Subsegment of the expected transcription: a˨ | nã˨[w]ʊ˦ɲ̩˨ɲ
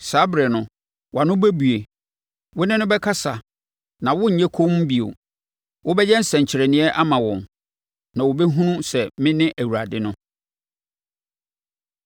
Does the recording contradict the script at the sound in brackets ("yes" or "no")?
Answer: no